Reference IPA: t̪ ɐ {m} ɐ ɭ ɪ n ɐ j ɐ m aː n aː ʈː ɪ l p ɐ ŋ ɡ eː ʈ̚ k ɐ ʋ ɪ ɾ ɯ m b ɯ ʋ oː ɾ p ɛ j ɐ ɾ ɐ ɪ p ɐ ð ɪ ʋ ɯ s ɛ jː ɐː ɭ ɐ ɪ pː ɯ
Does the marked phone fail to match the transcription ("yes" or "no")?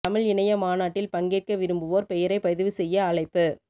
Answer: no